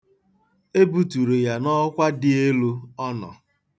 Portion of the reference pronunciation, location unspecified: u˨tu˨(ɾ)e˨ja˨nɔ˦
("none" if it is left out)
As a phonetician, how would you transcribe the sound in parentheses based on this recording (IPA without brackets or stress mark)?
ɾ